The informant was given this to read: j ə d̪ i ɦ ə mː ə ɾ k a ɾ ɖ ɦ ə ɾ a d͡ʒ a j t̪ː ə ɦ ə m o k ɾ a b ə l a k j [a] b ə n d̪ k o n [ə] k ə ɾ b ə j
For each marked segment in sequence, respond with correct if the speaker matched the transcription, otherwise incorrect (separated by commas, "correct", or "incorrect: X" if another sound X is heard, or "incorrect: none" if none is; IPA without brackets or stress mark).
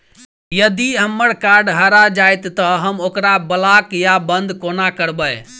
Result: correct, incorrect: a